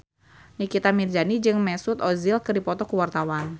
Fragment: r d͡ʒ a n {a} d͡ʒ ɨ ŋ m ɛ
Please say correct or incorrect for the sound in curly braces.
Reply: incorrect